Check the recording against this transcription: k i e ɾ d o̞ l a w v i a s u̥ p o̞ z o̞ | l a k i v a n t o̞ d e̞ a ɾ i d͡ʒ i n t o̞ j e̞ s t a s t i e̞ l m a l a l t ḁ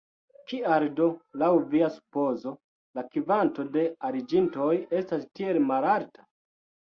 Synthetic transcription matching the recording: k i a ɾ d o̞ l a w v i a s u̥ p o̞ z o̞ | l a k i v a n t o̞ d e̞ a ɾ i d͡ʒ i n t o̞ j e̞ s t a s t i e̞ l m a l a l t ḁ